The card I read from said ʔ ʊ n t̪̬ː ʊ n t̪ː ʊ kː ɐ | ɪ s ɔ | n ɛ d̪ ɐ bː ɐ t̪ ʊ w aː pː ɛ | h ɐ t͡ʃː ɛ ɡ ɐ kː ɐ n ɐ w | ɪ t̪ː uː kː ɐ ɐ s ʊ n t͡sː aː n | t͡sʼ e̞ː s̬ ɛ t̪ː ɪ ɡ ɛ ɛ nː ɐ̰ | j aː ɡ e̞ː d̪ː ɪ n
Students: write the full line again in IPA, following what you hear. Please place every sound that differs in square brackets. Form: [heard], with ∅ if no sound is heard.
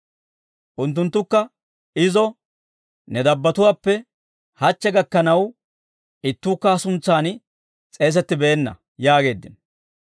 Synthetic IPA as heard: ʔ ʊ n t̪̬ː ʊ n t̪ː ʊ kː ɐ | ɪ [z] ɔ | n ɛ d̪ ɐ bː ɐ t̪ ʊ w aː pː ɛ | h ɐ t͡ʃː ɛ ɡ ɐ kː ɐ n ɐ w | ɪ t̪ː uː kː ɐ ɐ s ʊ n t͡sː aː n | t͡sʼ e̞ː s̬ ɛ t̪ː ɪ [b] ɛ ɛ nː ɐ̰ | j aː ɡ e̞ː d̪ː ɪ n

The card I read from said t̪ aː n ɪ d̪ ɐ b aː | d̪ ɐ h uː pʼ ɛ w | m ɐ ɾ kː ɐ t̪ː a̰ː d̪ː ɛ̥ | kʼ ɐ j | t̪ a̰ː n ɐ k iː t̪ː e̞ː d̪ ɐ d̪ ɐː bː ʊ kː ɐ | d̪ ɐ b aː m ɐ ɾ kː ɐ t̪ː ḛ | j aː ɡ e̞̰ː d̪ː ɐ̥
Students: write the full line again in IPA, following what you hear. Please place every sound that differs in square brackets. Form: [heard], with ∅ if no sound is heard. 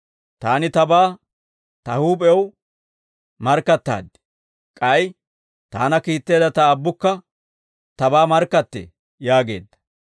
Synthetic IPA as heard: t̪ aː n ɪ [t̪] ɐ b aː | [t̪] ɐ h uː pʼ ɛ w | m ɐ ɾ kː ɐ t̪ː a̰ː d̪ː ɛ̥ | kʼ ɐ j | t̪ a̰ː n ɐ k iː t̪ː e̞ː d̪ ɐ [t̪] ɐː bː ʊ kː ɐ | [t̪] ɐ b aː m ɐ ɾ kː ɐ t̪ː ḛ | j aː ɡ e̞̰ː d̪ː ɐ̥

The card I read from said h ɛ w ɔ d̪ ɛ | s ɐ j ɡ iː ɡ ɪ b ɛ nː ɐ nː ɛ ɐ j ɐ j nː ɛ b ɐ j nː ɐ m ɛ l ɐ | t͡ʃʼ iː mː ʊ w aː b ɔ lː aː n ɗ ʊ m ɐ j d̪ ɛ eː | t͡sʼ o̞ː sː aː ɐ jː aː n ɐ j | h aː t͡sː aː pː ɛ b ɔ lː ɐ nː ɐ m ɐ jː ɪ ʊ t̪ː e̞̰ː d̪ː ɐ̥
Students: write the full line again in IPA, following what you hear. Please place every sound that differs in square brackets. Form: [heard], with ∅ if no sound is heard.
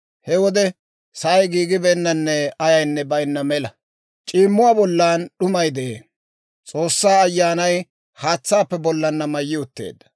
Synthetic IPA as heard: h ɛ w ɔ d̪ ɛ | s ɐ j ɡ iː ɡ ɪ b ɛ nː ɐ nː ɛ ɐ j ɐ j nː ɛ b ɐ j nː ɐ m ɛ l ɐ | t͡ʃʼ iː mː ʊ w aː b ɔ lː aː n ɗ ʊ m ɐ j d̪ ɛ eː | t͡sʼ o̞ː sː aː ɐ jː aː n ɐ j | h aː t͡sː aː pː ɛ b ɔ lː ɐ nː ɐ m ɐ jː ɪ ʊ t̪ː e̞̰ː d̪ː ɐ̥

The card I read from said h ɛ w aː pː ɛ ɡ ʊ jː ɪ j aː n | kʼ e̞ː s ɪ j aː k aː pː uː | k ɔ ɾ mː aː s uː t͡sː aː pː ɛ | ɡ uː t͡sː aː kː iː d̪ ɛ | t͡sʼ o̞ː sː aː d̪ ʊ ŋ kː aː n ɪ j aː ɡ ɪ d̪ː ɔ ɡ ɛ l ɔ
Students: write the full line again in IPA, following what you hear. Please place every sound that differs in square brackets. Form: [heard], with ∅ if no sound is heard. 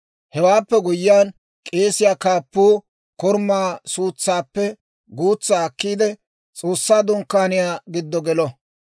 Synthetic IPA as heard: h ɛ w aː pː ɛ ɡ ʊ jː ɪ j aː n | kʼ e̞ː s ɪ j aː k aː pː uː | k ɔ ɾ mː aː s uː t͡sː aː pː ɛ | ɡ uː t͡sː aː kː iː d̪ ɛ | t͡sʼ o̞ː sː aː d̪ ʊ ŋ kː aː n ɪ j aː ɡ ɪ d̪ː ɔ ɡ ɛ l ɔ

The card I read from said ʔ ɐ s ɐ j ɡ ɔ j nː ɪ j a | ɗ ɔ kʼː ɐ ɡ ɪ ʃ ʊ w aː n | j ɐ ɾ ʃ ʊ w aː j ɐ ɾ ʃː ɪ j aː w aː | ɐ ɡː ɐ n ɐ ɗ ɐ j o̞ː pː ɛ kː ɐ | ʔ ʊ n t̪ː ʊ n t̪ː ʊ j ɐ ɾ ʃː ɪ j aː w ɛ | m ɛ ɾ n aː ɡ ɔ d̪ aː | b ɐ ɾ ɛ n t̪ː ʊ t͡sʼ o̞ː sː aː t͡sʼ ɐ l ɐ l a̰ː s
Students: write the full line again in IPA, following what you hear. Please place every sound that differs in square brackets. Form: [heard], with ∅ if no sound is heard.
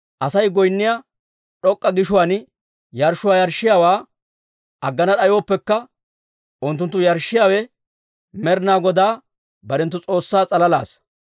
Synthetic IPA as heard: ʔ ɐ s ɐ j ɡ ɔ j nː ɪ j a | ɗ ɔ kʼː ɐ ɡ ɪ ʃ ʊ w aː n | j ɐ ɾ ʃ ʊ w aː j ɐ ɾ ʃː ɪ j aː w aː | ɐ ɡː ɐ n ɐ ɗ ɐ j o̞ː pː ɛ kː ɐ | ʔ ʊ n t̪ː ʊ n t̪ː ʊ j ɐ ɾ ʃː ɪ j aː w ɛ | m ɛ ɾ n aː ɡ ɔ d̪ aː | b ɐ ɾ ɛ n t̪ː ʊ t͡sʼ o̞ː sː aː t͡sʼ ɐ l ɐ l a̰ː s

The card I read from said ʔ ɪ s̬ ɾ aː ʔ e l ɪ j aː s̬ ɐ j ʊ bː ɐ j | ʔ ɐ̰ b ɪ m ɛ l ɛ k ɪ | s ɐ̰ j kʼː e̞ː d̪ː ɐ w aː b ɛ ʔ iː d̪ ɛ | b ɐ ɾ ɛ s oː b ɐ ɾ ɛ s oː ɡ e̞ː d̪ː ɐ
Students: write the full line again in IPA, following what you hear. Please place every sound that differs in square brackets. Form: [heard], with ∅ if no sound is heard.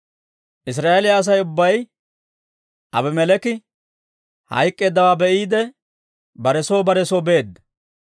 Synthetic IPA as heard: ʔ ɪ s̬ ɾ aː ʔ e l ɪ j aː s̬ ɐ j ʊ bː ɐ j | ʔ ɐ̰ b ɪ m ɛ l ɛ k ɪ | [h] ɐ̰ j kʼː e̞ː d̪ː ɐ w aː b ɛ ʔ iː d̪ ɛ | b ɐ ɾ ɛ s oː b ɐ ɾ ɛ s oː [b] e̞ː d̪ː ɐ

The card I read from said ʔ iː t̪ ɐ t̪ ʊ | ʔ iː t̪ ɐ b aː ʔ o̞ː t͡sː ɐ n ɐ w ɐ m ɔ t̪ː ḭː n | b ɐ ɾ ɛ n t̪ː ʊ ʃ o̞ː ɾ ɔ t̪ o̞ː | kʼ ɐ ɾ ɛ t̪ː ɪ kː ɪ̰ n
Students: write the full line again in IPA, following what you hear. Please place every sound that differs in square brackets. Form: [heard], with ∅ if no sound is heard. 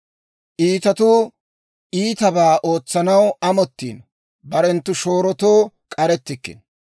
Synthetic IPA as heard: ʔ iː t̪ ɐ t̪ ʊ | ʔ iː t̪ ɐ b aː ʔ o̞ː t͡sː ɐ n ɐ w ɐ m ɔ t̪ː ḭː n | b ɐ ɾ ɛ n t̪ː ʊ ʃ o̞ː ɾ ɔ t̪ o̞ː | kʼ ɐ ɾ ɛ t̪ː ɪ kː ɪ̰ n

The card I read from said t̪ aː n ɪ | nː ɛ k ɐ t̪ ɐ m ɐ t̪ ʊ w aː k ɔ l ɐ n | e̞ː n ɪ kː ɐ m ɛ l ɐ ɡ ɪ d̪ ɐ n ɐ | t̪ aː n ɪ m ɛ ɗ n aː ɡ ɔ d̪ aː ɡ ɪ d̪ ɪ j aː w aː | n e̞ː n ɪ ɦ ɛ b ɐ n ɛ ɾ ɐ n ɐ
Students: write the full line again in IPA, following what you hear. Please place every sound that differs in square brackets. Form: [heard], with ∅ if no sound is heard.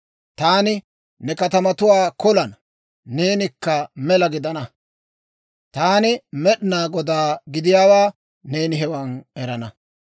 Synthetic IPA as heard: t̪ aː n ɪ | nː ɛ k ɐ t̪ ɐ m ɐ t̪ ʊ w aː k ɔ l ɐ [nː] | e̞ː n ɪ kː ɐ m ɛ l ɐ ɡ ɪ d̪ ɐ n ɐ | t̪ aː n ɪ m ɛ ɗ n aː ɡ ɔ d̪ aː ɡ ɪ d̪ ɪ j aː w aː | n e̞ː n ɪ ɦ ɛ [w] ɐ n ɛ ɾ ɐ n ɐ

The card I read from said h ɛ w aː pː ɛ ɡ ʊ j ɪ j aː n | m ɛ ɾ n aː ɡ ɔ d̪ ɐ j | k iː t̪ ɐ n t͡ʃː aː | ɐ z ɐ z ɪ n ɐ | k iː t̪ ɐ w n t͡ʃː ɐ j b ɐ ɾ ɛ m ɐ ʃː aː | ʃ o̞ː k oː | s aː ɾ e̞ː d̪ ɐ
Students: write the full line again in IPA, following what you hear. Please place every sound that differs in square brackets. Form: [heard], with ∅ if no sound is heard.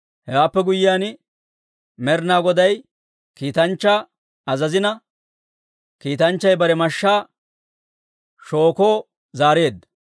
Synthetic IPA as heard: h ɛ w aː pː ɛ ɡ ʊ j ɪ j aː n | m ɛ ɾ n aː ɡ ɔ d̪ ɐ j | k iː t̪ ɐ n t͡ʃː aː | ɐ z ɐ z ɪ n ɐ | k iː t̪ ɐ [∅] n t͡ʃː ɐ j b ɐ ɾ ɛ m ɐ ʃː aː | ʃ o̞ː k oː | [z] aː ɾ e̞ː d̪ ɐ

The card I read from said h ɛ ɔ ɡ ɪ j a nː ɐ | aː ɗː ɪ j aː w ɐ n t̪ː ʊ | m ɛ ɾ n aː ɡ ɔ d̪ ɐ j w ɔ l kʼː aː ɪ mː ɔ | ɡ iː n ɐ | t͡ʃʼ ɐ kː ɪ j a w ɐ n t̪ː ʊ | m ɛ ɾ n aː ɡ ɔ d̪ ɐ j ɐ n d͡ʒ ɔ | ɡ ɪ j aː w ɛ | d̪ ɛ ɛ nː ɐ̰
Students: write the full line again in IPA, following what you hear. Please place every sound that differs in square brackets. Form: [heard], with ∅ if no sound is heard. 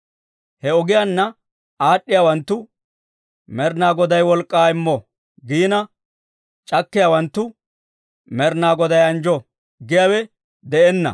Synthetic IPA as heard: h ɛ ɔ ɡ ɪ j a nː ɐ | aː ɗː ɪ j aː w ɐ n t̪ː ʊ | m ɛ ɾ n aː ɡ ɔ d̪ ɐ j w ɔ l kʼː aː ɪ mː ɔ | ɡ iː n ɐ | t͡ʃʼ ɐ kː ɪ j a w ɐ n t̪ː ʊ | m ɛ ɾ n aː ɡ ɔ d̪ ɐ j ɐ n d͡ʒ ɔ | ɡ ɪ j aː w ɛ | d̪ ɛ ɛ nː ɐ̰

